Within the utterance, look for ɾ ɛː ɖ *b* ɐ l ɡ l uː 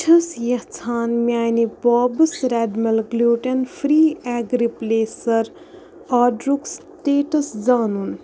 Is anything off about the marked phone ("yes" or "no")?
yes